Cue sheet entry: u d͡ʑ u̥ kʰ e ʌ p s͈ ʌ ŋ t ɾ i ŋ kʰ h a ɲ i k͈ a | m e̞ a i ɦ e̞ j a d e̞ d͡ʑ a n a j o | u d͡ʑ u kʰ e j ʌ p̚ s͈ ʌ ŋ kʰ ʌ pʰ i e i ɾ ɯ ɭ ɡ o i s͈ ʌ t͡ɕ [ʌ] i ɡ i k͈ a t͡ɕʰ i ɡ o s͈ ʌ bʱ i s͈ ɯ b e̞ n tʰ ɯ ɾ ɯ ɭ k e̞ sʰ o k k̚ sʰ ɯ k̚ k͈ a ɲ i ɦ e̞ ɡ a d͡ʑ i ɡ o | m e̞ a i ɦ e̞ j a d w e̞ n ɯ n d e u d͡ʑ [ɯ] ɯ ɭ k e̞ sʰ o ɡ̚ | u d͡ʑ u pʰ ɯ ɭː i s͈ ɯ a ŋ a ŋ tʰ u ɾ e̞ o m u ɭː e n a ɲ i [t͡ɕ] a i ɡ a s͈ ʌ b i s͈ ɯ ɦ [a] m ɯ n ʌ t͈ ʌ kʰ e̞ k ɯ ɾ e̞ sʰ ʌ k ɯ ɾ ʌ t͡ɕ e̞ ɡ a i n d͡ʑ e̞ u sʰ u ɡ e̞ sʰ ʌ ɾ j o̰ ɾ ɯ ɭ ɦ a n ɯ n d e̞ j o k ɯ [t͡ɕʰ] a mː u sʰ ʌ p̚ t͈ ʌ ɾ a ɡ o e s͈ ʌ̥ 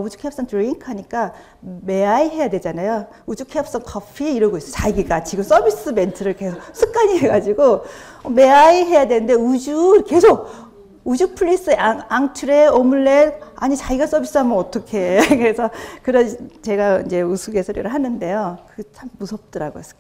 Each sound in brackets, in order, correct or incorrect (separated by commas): incorrect, incorrect, correct, correct, correct